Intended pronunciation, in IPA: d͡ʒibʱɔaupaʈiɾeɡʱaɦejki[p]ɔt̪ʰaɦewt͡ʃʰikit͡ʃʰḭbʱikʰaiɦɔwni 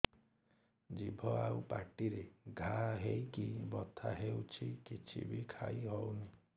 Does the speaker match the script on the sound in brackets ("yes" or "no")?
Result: no